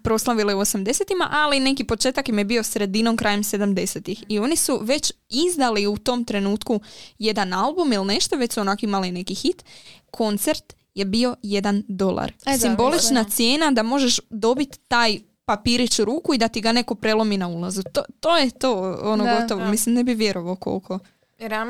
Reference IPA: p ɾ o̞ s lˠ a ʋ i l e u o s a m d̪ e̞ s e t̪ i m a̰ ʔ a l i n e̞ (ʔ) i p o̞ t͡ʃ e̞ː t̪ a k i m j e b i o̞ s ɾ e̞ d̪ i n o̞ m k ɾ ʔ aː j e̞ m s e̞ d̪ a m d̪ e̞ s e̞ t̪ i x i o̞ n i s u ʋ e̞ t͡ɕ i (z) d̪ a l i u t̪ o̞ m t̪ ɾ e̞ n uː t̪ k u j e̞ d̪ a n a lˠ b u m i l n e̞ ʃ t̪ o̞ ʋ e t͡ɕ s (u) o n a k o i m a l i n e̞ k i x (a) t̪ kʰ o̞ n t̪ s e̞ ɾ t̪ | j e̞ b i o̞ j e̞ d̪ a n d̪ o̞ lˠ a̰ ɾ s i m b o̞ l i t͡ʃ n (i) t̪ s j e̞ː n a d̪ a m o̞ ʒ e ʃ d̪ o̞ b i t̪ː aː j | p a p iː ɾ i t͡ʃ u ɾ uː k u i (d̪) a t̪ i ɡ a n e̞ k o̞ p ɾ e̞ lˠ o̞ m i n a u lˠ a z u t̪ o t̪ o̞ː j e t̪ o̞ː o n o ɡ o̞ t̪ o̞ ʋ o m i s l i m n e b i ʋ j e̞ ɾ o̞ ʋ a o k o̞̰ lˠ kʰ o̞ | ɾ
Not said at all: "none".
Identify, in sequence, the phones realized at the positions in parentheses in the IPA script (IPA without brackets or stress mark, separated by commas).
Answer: k, z, u, i, a, d̪